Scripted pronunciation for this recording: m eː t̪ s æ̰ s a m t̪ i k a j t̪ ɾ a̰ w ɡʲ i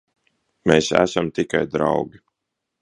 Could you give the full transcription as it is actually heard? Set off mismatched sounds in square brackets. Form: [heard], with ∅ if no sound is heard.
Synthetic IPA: m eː [∅] s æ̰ s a m t̪ i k a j [d̪] ɾ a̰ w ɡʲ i